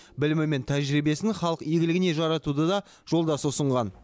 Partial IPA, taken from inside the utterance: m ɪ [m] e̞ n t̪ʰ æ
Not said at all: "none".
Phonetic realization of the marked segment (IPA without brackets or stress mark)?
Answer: m